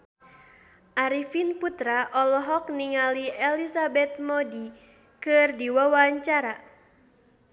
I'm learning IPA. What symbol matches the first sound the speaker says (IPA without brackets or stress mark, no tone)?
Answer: ʔ